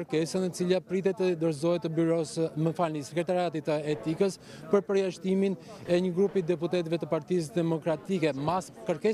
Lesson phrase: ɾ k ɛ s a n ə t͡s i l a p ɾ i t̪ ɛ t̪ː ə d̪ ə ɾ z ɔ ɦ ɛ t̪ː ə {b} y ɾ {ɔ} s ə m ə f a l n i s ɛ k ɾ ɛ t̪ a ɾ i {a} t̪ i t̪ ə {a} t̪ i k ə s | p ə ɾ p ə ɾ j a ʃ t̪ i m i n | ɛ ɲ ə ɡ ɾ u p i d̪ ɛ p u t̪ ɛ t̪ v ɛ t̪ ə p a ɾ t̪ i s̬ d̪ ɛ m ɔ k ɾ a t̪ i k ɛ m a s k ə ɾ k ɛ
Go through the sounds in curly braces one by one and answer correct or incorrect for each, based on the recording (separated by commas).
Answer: correct, correct, correct, incorrect